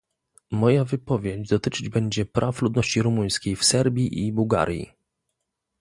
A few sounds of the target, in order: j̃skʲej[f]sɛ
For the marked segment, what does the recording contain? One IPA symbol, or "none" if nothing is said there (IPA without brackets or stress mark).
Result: f